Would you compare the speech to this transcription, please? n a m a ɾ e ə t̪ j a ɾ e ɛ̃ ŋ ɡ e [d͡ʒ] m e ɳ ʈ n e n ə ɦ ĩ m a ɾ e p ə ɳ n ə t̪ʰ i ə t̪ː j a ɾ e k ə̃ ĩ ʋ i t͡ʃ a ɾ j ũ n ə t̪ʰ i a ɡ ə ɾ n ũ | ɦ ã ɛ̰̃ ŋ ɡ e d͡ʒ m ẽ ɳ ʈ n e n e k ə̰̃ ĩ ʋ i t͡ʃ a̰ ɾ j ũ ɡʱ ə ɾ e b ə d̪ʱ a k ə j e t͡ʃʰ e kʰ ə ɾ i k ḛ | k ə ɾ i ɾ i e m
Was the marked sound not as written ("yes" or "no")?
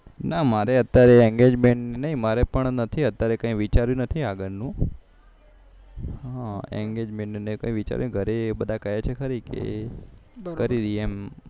no